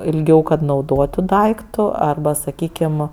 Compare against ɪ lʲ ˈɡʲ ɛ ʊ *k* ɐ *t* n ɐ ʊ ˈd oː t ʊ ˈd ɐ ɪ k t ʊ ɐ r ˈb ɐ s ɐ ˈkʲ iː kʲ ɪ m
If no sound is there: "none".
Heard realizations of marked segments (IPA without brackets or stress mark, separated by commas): k, t